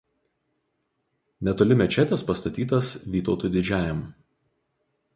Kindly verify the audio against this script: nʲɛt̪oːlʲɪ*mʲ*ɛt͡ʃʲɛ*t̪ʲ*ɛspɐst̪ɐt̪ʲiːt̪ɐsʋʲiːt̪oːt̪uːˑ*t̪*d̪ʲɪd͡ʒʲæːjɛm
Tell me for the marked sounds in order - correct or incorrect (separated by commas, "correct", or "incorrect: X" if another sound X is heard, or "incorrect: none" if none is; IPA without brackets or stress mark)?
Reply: correct, correct, incorrect: none